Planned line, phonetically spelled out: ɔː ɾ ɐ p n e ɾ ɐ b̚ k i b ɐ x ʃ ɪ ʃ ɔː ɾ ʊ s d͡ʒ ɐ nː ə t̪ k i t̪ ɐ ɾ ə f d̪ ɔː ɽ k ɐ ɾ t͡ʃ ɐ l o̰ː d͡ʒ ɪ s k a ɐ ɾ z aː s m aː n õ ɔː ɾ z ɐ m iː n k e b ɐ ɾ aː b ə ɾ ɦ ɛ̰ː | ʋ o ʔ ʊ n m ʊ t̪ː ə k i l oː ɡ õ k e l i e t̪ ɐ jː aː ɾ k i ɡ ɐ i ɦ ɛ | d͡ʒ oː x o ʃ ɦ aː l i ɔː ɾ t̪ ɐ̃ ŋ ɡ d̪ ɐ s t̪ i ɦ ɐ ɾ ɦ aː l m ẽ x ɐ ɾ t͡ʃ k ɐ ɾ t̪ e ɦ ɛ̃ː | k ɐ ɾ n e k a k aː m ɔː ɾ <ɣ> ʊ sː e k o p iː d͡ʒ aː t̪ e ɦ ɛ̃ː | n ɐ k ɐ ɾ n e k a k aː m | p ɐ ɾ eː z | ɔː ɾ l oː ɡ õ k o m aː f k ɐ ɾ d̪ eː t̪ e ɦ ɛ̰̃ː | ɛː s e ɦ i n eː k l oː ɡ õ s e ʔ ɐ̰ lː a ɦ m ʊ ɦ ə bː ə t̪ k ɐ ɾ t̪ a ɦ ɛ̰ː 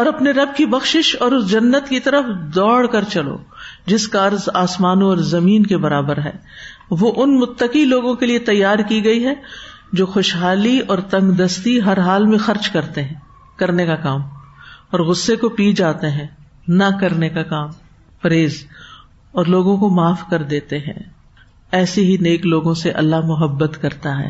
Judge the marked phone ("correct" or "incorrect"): correct